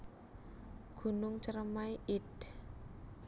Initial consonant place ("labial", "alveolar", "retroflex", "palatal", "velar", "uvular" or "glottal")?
velar